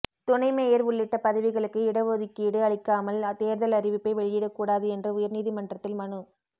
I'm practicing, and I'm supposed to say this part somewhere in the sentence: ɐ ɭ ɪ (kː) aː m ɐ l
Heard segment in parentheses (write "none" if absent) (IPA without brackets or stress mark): kː